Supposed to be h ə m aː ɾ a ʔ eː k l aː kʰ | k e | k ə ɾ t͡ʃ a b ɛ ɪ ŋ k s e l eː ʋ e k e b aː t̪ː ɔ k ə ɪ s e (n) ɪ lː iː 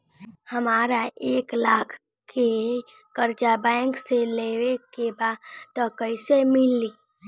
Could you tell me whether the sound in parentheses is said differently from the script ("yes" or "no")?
yes